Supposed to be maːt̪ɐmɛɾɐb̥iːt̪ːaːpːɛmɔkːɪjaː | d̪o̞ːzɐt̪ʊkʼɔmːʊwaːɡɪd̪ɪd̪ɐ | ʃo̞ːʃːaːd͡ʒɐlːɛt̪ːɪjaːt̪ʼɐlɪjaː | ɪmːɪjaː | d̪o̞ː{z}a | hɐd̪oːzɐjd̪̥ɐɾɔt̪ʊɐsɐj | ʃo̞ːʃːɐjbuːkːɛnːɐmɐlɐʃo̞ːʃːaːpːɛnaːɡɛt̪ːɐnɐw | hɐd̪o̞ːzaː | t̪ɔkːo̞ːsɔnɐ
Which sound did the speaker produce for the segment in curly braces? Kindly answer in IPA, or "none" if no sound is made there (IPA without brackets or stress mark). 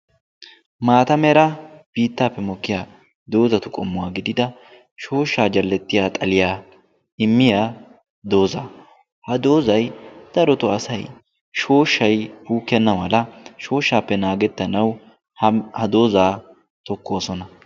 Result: z